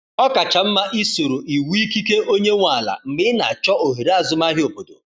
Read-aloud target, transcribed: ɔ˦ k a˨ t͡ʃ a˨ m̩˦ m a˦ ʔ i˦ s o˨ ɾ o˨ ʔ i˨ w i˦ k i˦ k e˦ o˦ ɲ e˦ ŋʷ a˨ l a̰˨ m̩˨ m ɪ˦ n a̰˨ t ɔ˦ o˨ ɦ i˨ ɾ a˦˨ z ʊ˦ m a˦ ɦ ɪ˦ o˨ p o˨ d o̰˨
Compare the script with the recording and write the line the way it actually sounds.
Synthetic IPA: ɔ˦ k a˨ t͡ʃ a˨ m̩˦ m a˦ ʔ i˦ s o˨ ɾ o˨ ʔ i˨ w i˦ k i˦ k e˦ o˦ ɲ e˦ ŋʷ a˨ l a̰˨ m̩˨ m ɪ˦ n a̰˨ t͡ʃ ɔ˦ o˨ ɦ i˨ ɾ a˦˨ z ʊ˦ m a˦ ɦ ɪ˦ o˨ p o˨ d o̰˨